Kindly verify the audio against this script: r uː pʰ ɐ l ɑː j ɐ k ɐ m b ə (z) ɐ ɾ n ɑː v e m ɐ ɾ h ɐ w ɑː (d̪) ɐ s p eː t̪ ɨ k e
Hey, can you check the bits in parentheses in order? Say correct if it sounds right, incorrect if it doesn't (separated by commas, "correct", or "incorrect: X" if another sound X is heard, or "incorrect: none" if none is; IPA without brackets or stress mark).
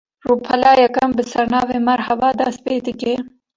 incorrect: s, correct